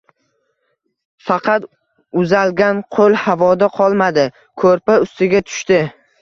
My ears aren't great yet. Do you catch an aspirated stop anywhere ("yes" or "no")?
yes